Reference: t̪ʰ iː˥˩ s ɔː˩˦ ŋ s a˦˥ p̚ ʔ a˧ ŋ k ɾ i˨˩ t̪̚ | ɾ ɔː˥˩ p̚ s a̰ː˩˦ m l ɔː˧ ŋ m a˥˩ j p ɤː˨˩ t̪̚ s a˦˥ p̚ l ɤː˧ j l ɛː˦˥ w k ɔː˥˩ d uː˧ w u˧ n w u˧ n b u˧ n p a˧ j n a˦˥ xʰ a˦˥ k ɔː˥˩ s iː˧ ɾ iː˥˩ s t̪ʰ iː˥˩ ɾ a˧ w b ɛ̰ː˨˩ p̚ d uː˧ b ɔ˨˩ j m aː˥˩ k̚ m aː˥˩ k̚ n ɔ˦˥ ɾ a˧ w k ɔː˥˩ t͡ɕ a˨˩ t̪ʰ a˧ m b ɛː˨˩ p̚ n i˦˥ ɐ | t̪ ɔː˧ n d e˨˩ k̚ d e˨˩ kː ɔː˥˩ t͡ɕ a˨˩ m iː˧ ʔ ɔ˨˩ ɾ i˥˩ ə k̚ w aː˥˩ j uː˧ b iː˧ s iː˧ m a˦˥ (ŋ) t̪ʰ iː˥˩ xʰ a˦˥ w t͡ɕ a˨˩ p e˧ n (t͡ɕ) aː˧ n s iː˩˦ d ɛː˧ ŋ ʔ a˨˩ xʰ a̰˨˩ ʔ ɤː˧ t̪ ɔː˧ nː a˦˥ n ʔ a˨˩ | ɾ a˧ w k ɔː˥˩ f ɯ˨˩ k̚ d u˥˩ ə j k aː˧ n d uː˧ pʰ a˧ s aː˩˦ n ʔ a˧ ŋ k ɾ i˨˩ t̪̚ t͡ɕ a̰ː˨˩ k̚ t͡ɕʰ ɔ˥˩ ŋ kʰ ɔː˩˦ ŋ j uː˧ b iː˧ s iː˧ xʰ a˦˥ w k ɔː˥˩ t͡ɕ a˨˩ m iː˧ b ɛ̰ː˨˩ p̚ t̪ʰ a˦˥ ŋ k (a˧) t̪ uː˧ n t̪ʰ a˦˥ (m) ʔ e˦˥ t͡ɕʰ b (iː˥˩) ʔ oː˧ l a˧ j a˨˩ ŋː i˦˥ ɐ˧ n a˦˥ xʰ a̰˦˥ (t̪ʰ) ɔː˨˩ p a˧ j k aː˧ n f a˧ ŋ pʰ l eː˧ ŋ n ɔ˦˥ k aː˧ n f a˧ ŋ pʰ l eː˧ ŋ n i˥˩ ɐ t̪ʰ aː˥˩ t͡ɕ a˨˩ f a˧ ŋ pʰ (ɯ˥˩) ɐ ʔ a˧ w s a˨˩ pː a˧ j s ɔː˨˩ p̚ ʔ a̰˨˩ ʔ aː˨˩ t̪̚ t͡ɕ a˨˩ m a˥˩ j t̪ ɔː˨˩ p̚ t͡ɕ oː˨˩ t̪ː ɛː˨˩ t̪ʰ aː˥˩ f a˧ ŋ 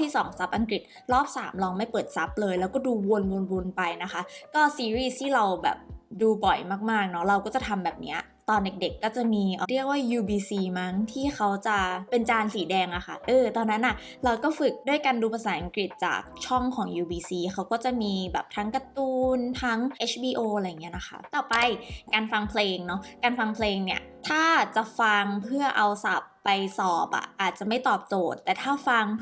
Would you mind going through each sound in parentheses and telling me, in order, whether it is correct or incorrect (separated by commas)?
correct, correct, correct, incorrect, incorrect, incorrect, correct